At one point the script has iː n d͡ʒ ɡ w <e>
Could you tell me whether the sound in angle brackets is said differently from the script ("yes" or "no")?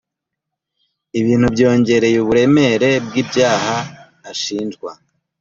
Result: yes